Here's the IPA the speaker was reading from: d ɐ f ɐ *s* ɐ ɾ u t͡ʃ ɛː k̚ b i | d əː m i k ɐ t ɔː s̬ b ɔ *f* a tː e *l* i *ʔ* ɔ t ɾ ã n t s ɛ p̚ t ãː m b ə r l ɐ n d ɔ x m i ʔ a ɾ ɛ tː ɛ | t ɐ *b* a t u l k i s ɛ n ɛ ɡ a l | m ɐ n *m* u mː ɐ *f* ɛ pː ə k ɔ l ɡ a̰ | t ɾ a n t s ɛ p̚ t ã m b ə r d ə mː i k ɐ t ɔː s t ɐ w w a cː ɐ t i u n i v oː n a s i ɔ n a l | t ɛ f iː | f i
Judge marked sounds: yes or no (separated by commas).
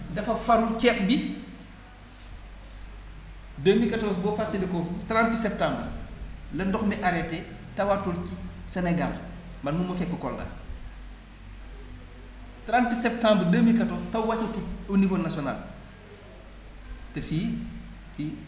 no, yes, yes, no, no, yes, yes